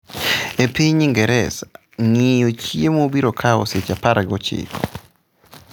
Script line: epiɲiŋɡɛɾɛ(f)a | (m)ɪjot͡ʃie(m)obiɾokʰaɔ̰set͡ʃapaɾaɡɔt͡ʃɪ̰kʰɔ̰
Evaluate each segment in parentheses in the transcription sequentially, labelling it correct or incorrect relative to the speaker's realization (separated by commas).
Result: incorrect, incorrect, correct